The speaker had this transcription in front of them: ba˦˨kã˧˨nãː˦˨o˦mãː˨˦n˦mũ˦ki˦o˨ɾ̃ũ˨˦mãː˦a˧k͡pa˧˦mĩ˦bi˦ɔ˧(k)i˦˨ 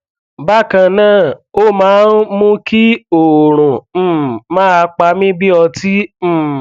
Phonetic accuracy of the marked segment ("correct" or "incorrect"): incorrect